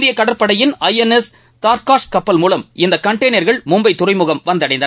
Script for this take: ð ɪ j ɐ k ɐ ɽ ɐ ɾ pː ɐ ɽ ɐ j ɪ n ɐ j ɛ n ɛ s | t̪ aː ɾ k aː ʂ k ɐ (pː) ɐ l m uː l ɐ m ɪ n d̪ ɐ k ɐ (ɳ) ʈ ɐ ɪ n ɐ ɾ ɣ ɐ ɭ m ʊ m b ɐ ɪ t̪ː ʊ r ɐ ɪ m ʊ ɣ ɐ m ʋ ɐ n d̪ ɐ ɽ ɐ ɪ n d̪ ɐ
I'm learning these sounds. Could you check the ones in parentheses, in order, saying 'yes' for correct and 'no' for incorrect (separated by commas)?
yes, yes